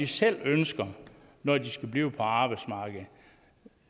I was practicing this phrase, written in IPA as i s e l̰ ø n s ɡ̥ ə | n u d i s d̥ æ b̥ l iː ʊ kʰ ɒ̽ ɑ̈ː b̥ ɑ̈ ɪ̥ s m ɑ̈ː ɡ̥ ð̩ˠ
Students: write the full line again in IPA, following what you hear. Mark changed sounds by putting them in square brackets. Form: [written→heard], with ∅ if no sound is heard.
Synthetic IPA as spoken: i s e l̰ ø n s ɡ̥ [ə→ɐ] | n [u→ɒ] d i s [d̥→ɡ̥] æ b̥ l iː ʊ [kʰ→pʰ] ɒ̽ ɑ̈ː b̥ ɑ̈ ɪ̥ s m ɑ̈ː ɡ̥ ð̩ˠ